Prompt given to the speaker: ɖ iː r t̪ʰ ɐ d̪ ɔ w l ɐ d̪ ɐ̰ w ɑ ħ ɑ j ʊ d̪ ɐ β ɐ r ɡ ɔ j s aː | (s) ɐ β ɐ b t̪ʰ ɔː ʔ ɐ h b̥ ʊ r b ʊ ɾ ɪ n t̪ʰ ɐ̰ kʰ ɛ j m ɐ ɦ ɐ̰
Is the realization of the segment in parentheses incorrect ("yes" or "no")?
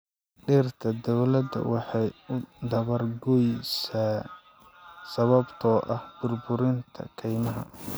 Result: no